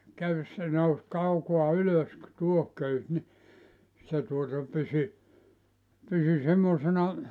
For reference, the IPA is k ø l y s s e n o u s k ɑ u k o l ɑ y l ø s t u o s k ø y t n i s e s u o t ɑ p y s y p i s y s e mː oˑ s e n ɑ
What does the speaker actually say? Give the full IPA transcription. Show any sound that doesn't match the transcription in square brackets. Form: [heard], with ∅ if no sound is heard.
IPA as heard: k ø [∅] y s s e n o u s k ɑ u k o [∅] ɑ y l ø s t u o [h] k ø y [s] n i s e [t] u o t ɑ p y s y p [y] s y s e mː oˑ s e n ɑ